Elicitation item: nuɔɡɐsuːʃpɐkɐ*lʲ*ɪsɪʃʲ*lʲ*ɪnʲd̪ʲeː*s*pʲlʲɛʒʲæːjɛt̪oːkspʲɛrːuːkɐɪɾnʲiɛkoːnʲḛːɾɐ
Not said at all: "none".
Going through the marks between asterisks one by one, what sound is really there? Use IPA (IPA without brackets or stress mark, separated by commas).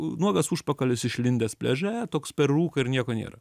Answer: lʲ, lʲ, s